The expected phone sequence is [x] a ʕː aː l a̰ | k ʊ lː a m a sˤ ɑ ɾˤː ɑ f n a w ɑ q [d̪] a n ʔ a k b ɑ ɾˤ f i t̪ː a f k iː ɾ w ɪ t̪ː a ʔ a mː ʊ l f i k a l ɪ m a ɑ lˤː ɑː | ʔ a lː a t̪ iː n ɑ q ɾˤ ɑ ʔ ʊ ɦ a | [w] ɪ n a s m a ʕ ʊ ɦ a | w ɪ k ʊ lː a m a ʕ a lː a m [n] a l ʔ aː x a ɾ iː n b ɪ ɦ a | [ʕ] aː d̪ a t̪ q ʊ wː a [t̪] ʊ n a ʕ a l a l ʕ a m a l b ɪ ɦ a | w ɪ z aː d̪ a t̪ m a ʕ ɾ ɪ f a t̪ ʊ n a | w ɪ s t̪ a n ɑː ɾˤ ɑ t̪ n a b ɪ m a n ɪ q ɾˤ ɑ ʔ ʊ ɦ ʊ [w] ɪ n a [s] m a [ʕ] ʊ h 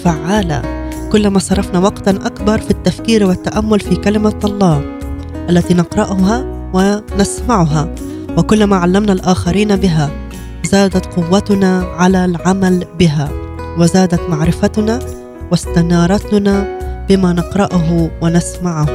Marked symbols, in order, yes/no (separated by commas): no, no, yes, yes, no, yes, yes, yes, yes